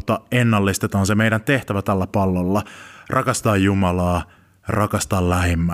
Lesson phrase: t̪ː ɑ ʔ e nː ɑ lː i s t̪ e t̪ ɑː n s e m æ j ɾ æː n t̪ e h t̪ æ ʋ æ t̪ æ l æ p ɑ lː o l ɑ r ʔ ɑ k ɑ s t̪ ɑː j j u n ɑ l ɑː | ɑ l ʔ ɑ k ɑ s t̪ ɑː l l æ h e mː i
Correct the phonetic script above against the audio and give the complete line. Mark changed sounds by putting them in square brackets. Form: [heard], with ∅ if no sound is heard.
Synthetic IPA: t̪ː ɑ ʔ e nː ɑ lː i s t̪ e t̪ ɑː n s e m [e] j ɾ [æ] n t̪ e h t̪ æ ʋ æ t̪ æ [lː] æ p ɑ lː o [lː] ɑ r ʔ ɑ k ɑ s t̪ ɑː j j u [m] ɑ l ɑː | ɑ [r] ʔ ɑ k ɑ s t̪ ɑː l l æ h e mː [æ]